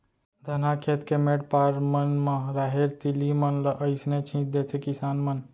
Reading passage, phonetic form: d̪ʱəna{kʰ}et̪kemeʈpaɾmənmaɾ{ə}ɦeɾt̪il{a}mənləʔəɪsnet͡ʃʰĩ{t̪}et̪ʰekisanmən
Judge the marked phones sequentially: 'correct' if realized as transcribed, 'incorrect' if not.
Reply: correct, incorrect: a, incorrect: i, incorrect: d̪

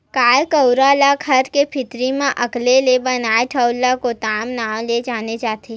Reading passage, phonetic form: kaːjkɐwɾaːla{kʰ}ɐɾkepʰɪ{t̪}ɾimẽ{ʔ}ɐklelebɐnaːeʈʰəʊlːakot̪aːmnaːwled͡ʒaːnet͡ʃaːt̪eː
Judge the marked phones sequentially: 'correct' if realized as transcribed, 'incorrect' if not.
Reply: correct, correct, correct

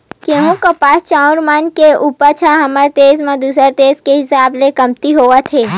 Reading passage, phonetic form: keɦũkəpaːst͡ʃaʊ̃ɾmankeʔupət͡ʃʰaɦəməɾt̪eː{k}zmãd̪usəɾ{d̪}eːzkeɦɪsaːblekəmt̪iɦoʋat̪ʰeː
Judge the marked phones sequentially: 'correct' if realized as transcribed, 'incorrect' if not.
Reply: incorrect: none, incorrect: t̪

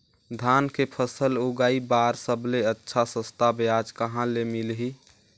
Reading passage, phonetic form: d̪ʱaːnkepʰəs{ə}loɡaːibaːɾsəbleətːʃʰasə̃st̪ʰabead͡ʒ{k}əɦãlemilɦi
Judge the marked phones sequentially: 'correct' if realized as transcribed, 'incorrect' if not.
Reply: correct, correct

